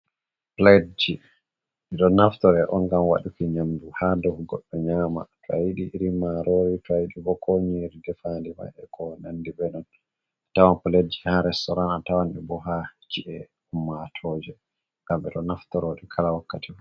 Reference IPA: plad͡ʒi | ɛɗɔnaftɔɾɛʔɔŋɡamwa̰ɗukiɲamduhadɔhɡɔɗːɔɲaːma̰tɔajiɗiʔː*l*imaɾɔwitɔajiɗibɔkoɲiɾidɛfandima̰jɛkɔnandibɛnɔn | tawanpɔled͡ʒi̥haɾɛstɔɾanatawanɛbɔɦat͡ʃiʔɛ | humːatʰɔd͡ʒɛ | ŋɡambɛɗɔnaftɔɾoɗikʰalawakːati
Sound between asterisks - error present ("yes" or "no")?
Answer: yes